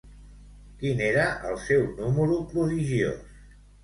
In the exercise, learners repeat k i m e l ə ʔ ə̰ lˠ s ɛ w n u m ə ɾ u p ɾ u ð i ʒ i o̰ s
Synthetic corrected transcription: k i n e ɾ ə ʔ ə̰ lˠ s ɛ w n u m ə ɾ u p ɾ u ð i ʒ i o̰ s